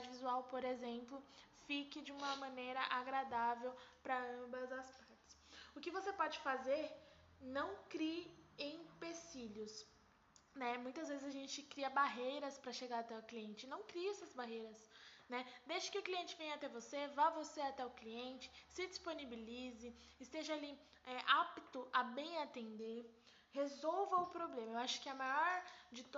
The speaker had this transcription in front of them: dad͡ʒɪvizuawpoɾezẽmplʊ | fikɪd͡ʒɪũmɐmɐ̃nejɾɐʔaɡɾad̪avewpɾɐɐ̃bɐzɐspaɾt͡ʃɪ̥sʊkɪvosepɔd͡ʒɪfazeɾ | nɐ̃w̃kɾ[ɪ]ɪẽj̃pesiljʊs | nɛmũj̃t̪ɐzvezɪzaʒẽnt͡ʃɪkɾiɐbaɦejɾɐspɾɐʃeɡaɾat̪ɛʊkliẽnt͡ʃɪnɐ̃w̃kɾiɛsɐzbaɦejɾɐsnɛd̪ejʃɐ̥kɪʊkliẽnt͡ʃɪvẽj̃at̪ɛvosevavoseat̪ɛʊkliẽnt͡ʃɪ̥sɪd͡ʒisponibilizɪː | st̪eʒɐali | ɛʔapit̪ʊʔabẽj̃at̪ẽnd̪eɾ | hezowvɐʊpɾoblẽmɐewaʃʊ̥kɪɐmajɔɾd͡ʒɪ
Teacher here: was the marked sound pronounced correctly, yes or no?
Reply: no